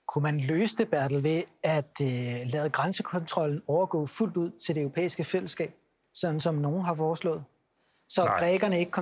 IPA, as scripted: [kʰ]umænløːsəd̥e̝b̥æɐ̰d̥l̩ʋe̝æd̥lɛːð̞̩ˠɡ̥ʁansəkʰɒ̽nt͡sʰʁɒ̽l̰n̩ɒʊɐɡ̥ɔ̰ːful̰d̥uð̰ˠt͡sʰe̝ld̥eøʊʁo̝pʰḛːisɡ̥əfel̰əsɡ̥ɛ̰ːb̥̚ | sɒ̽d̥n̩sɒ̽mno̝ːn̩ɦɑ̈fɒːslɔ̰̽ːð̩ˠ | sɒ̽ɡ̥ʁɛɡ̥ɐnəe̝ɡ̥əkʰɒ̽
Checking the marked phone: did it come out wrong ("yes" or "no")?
no